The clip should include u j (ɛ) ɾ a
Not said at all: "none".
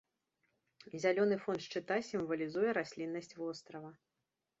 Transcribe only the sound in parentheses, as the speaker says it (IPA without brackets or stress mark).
ɛ